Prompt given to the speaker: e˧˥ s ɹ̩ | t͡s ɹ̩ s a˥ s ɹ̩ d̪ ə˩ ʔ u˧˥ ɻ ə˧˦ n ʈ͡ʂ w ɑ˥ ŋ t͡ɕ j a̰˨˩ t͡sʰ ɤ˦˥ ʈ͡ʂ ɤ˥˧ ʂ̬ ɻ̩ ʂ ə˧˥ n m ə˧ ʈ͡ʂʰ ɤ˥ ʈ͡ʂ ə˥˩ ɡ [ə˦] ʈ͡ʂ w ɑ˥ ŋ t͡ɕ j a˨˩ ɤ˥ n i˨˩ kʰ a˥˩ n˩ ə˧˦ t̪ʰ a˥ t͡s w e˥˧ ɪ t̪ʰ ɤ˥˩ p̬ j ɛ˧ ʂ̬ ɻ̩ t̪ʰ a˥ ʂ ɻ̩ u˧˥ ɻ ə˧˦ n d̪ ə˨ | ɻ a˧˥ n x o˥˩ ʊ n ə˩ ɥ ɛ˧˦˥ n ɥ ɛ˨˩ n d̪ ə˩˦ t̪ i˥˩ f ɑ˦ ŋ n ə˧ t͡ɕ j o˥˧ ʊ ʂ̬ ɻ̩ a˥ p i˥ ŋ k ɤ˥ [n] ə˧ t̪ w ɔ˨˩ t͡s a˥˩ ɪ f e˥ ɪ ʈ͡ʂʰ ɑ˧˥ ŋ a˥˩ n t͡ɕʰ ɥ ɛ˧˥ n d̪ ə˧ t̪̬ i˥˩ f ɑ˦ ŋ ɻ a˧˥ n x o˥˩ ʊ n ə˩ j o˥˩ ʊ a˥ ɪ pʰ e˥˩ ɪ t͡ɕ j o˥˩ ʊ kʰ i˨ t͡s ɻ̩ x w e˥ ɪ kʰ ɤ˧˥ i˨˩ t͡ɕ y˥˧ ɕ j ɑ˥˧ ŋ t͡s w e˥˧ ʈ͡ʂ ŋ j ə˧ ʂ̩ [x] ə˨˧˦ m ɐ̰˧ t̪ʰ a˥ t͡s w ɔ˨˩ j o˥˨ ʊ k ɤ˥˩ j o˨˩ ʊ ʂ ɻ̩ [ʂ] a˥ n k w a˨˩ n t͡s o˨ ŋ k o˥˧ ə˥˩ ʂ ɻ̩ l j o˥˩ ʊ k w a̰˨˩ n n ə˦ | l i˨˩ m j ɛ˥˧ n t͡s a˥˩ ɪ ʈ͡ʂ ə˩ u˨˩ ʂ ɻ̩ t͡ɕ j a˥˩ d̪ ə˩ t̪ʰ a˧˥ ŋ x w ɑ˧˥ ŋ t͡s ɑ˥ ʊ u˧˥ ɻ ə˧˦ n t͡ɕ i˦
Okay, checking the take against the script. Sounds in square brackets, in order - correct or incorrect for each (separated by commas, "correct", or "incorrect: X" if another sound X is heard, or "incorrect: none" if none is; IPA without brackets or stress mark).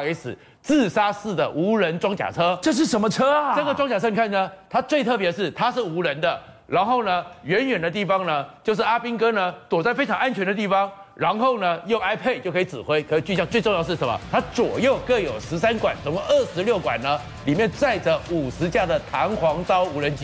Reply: incorrect: ə˩, correct, incorrect: ʂ, incorrect: s